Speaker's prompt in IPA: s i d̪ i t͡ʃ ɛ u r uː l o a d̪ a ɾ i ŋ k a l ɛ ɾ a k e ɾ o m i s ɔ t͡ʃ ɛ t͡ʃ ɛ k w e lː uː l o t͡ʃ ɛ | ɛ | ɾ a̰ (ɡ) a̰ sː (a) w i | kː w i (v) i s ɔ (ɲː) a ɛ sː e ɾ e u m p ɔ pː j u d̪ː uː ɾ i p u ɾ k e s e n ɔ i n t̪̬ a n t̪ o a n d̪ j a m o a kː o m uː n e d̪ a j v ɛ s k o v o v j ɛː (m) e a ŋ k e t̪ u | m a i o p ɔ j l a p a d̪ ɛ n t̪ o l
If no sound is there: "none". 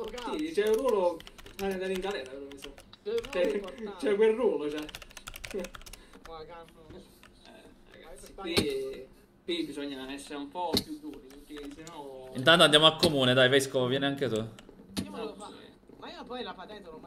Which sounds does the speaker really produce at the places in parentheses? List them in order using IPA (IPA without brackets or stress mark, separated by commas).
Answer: ɡ, i, b, ɲː, n